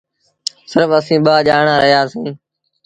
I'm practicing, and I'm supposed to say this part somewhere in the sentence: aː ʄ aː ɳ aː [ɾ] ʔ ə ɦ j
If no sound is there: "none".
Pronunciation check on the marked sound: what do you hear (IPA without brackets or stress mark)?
ɾ